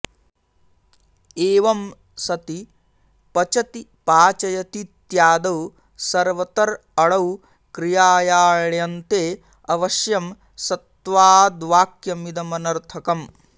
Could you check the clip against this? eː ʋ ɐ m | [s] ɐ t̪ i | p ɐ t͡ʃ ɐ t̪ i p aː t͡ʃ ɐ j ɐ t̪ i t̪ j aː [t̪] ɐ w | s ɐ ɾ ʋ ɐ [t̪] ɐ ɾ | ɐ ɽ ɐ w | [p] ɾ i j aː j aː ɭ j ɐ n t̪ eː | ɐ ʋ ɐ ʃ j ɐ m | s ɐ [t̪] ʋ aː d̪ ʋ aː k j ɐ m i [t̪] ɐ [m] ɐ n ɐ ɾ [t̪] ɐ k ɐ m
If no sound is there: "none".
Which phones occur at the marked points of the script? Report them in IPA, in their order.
s, d̪, t̪, k, t̪, d̪, m, t̪ʰ

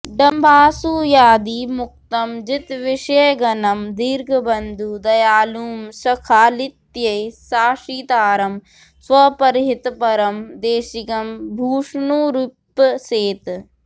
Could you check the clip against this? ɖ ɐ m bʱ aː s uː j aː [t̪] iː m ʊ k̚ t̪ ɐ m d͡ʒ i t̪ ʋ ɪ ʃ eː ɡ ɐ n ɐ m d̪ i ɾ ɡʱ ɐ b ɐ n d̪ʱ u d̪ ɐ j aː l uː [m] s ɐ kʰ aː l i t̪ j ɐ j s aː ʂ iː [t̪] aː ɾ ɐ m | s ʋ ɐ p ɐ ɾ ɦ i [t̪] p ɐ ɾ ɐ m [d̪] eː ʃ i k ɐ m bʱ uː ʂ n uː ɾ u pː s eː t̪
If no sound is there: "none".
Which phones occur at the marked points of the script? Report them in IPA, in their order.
d̪, m, t̪, t̪, d̪

